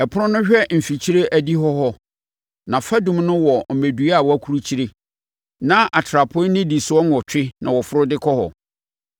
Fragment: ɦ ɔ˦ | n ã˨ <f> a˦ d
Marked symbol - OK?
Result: yes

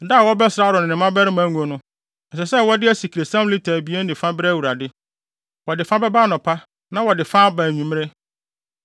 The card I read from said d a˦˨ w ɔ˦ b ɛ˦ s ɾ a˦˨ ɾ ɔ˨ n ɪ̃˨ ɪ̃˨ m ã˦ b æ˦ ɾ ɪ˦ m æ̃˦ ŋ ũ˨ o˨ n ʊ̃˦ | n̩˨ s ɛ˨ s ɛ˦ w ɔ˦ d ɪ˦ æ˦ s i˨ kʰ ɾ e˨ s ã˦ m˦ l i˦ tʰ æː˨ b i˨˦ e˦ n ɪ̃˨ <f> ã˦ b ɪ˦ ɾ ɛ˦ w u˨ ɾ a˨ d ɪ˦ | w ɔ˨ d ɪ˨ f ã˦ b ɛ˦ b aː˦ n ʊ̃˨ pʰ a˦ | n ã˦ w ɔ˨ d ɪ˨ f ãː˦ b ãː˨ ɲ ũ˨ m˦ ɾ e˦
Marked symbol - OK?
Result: yes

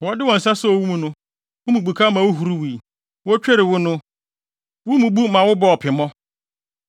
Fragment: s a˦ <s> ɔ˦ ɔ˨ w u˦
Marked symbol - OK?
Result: yes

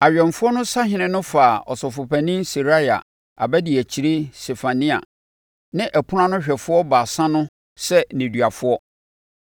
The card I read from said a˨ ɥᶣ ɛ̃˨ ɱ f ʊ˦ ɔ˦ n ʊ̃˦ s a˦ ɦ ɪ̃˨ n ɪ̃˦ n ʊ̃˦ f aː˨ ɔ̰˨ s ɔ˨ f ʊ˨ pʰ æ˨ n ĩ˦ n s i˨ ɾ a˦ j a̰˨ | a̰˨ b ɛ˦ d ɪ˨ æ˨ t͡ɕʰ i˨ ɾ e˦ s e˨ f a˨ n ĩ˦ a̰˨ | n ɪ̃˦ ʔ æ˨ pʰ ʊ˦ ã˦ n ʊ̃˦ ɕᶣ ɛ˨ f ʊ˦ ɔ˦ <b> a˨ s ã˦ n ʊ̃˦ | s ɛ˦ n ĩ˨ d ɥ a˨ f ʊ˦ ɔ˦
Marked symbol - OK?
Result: yes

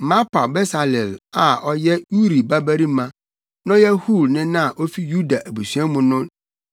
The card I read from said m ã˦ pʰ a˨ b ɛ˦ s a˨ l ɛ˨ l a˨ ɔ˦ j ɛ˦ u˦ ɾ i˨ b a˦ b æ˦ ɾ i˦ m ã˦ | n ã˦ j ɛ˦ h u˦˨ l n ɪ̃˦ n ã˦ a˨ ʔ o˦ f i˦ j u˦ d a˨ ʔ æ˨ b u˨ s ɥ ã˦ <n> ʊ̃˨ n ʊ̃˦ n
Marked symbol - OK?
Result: no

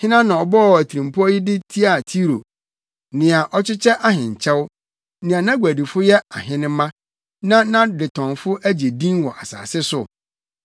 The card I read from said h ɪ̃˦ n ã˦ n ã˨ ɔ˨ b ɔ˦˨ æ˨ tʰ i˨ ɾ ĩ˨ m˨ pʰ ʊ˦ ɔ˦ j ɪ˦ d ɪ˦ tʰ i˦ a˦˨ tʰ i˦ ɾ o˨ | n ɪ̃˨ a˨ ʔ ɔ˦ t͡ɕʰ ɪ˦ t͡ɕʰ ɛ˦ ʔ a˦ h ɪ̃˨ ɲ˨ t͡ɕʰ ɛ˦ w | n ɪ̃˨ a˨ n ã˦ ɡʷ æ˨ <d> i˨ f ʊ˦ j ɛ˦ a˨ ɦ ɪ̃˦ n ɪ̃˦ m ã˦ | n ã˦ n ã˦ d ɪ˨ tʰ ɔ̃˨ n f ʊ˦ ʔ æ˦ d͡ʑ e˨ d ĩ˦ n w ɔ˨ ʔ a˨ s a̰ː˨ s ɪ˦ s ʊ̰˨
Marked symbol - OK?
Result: yes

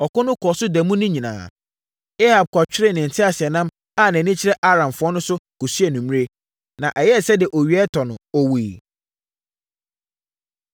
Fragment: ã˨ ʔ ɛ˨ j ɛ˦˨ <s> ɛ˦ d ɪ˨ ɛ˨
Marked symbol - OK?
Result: yes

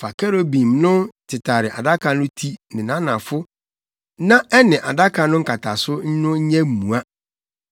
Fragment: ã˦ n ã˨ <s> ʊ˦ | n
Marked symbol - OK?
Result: no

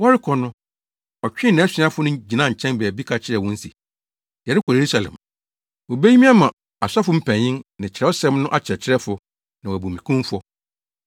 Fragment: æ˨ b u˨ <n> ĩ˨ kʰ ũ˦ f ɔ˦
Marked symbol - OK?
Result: no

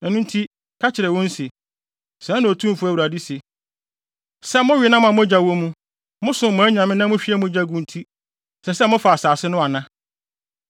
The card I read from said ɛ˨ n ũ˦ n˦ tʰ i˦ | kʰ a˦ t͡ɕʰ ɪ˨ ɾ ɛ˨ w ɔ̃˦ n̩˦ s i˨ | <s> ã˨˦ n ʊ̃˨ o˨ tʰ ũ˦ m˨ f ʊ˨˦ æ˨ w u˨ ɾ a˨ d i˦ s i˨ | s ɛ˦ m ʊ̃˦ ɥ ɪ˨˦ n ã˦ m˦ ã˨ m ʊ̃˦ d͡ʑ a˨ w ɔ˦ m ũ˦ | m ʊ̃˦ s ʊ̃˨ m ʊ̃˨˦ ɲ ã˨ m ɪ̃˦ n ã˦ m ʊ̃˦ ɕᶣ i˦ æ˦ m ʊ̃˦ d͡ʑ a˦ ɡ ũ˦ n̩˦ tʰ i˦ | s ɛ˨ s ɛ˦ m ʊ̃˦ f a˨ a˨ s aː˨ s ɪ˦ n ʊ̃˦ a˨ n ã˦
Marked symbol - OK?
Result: yes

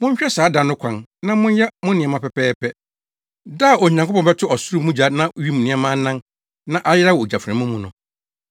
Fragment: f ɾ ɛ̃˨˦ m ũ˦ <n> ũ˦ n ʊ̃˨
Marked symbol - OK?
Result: no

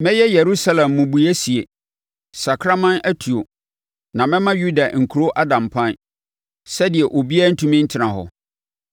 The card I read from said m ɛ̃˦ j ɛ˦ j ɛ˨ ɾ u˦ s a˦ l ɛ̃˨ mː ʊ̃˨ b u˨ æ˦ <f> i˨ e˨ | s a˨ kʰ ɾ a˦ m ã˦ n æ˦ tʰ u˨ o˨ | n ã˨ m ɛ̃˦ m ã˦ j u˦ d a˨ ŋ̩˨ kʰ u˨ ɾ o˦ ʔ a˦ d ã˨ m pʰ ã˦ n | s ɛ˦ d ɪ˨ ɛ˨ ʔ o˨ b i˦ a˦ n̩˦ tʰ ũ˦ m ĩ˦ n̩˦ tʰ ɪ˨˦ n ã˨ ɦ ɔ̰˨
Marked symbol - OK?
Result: no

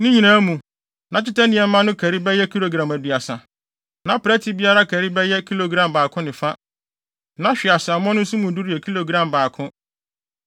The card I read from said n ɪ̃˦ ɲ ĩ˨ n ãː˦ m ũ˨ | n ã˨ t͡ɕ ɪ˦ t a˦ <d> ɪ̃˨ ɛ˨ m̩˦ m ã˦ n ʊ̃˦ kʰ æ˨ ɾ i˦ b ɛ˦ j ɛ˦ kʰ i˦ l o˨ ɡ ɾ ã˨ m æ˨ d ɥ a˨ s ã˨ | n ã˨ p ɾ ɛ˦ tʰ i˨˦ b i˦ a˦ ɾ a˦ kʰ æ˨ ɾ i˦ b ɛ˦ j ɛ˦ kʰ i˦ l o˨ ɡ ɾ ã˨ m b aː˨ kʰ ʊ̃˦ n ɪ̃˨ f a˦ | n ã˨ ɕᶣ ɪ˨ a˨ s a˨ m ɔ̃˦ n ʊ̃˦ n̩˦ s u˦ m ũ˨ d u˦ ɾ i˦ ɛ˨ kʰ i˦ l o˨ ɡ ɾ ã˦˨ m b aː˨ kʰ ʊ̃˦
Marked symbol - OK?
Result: no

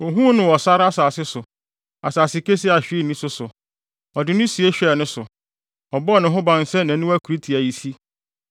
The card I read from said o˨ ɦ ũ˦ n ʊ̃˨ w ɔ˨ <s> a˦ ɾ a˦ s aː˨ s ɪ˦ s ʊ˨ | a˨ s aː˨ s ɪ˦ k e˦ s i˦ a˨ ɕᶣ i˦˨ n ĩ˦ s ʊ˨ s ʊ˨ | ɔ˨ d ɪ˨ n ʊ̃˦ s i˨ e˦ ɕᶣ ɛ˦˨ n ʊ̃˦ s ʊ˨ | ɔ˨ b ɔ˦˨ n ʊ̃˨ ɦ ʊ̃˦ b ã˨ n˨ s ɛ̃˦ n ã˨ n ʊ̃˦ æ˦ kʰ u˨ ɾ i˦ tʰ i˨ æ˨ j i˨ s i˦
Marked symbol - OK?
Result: yes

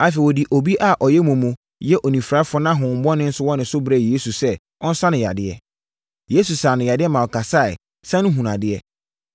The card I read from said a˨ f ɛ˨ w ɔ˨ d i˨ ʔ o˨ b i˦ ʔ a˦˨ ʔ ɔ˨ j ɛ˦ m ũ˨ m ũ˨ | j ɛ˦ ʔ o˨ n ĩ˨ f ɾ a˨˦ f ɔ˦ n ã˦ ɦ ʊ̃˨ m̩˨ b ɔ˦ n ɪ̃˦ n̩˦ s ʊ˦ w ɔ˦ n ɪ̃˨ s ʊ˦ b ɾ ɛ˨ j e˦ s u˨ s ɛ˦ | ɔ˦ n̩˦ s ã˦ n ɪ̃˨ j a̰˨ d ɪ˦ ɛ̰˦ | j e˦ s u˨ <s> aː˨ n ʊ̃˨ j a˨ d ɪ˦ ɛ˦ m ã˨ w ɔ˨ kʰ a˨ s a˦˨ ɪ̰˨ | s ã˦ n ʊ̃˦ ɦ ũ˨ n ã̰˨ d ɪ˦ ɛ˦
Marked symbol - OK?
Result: yes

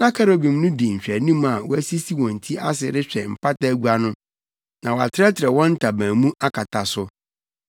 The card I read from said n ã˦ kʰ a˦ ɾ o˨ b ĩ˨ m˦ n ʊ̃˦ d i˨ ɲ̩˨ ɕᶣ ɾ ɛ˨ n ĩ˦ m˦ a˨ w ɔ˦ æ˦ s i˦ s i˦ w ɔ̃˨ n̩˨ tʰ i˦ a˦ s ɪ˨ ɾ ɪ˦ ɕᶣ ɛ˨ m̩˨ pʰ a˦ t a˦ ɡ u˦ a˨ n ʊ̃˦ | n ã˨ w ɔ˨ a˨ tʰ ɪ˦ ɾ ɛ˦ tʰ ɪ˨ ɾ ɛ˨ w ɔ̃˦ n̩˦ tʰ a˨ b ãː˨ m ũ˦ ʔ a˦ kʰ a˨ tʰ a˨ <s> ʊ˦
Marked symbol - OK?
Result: yes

